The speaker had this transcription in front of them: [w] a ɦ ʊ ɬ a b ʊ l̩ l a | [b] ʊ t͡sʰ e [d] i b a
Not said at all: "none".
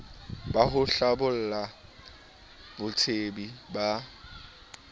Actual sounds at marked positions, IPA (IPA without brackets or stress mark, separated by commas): b, b, b